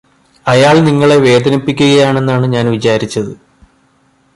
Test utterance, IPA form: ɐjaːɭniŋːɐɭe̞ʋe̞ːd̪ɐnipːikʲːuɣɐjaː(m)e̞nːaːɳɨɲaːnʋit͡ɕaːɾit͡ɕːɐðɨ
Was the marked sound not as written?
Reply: yes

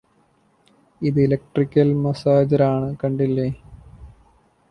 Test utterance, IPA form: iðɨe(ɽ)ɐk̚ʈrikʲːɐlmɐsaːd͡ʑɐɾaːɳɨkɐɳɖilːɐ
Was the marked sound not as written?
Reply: yes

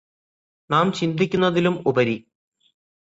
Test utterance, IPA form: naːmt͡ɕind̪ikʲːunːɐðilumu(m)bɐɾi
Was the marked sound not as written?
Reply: yes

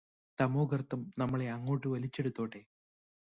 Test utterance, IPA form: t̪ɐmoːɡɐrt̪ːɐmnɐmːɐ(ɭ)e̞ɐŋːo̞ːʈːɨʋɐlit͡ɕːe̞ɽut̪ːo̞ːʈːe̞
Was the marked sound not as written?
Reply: no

